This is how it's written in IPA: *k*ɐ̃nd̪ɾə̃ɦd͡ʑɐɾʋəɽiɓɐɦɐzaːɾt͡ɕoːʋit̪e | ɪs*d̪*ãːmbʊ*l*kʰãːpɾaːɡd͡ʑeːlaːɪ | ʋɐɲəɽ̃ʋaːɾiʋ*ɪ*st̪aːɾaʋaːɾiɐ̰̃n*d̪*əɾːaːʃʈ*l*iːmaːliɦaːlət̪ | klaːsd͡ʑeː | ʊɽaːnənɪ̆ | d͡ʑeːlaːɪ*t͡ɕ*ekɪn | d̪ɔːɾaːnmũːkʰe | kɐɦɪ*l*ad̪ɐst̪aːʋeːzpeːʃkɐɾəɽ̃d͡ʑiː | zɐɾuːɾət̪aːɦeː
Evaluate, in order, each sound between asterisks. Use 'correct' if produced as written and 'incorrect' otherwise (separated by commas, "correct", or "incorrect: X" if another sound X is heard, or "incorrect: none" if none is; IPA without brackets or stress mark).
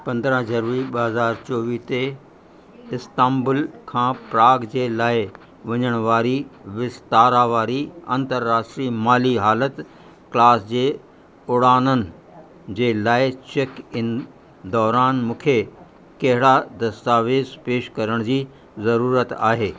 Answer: incorrect: p, incorrect: t̪, correct, correct, incorrect: t̪, incorrect: ɾ, correct, incorrect: ɽ